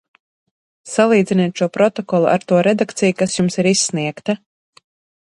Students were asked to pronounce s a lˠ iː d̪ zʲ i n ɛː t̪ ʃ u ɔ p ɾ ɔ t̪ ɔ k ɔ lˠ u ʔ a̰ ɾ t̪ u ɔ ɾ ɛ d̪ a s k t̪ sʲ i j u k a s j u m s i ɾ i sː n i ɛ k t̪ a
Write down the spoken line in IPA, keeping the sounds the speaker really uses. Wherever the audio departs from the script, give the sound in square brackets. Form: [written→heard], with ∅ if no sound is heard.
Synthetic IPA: s a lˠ iː d̪ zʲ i n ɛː t̪ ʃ u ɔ p ɾ ɔ t̪ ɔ k ɔ lˠ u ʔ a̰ ɾ t̪ u ɔ ɾ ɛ d̪ a [s→∅] k t̪ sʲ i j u k a s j u m s i ɾ i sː n i ɛ k t̪ a